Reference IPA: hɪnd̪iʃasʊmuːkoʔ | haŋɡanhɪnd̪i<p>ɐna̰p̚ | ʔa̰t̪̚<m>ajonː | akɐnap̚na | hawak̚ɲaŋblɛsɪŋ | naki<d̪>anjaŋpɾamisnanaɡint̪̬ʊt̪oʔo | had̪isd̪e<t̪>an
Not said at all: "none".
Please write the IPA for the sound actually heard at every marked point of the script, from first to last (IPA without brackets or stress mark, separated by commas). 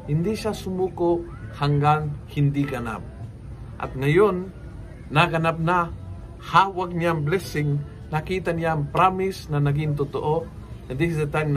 k, ŋ, t̪, t̪